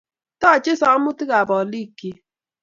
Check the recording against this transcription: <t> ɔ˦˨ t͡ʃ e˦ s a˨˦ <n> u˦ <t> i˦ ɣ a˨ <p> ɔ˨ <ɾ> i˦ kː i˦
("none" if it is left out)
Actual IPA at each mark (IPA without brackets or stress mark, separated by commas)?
t, m, t, b, l